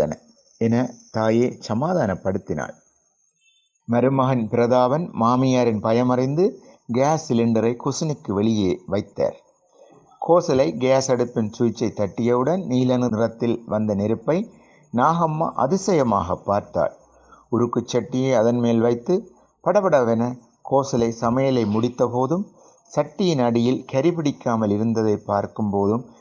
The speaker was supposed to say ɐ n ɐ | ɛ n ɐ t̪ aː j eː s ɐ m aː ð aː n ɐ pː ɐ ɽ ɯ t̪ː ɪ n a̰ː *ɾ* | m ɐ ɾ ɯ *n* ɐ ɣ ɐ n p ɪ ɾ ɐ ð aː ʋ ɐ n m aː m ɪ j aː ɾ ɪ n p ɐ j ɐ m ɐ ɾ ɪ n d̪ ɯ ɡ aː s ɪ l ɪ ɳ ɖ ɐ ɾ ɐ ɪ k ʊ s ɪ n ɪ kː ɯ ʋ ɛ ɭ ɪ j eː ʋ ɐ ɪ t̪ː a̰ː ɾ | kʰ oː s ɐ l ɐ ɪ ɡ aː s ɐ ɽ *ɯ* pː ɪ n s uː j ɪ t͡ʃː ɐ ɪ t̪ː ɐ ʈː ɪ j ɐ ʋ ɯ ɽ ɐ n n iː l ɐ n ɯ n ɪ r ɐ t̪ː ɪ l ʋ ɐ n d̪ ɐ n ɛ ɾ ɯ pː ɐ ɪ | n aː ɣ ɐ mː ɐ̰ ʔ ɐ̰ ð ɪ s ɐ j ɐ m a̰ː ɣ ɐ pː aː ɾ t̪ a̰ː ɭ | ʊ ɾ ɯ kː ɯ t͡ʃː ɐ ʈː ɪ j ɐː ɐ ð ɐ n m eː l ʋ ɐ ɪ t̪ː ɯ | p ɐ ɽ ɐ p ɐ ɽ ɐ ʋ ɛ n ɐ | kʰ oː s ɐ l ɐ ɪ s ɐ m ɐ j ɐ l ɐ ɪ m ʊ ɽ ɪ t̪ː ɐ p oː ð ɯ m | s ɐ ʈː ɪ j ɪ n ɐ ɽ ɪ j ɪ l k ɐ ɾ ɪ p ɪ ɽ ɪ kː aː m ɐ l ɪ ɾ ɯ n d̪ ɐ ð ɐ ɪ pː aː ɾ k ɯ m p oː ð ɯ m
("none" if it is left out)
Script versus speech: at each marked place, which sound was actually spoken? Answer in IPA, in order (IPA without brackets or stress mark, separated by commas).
ɭ, m, ɯ